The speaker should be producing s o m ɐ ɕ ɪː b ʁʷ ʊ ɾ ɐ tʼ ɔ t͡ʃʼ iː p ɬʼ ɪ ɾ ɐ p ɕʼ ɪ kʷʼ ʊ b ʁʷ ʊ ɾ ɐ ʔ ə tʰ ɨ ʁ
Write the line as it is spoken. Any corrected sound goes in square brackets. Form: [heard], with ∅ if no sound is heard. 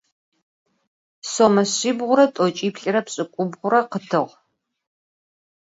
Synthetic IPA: s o m ɐ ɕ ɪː b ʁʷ ʊ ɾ ɐ tʼ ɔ t͡ʃʼ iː p ɬʼ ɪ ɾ ɐ p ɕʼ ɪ kʷʼ ʊ b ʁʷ ʊ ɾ ɐ [q] ə tʰ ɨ ʁ